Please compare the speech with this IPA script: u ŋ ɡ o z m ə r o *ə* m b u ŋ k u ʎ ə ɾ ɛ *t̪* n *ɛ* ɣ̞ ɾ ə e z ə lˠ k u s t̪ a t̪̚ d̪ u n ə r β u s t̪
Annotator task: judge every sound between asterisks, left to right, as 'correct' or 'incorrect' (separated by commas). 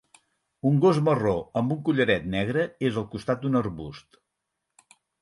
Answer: correct, correct, correct